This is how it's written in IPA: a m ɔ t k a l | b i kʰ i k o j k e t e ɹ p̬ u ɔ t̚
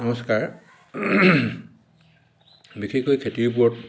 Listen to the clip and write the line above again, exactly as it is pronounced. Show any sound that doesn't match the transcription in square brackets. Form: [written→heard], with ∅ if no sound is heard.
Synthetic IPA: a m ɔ [t→s] k a [l→ɹ] | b i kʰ i k o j [k→kʰ] e t [e→i] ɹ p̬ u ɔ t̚